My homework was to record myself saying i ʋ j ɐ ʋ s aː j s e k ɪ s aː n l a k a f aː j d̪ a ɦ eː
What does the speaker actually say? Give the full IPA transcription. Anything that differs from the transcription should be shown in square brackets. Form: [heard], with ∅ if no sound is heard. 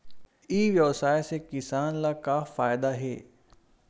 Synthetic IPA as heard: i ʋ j ɐ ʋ s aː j s e k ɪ s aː n l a k a f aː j d̪ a ɦ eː